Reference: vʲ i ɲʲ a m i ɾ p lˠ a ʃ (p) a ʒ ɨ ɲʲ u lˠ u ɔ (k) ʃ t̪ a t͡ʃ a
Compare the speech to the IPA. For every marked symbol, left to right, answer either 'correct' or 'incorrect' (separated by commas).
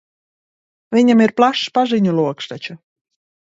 correct, correct